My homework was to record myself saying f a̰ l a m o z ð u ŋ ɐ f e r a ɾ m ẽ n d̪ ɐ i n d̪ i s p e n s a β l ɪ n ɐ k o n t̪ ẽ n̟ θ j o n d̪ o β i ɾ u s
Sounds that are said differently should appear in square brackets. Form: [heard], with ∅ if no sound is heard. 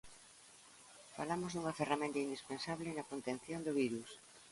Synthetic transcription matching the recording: f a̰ l a m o z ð u ŋ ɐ f e r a [∅] m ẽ n [t̪] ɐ i n d̪ i s p e n s a β l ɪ n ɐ k o n t̪ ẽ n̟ θ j o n d̪ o β i ɾ u s